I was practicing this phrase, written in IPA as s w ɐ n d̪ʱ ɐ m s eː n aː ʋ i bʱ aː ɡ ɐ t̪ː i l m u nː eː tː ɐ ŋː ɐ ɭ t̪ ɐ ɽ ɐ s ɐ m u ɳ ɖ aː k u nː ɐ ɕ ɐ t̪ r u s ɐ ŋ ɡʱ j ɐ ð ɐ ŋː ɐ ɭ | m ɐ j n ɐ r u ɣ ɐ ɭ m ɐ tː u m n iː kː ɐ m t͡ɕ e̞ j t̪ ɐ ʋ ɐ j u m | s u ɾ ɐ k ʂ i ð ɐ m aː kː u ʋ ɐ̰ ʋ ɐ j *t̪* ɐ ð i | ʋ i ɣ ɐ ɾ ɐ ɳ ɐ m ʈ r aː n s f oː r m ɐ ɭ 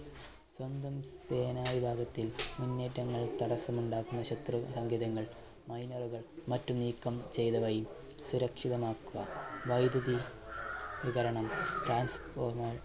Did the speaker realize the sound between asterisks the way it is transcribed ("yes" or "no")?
no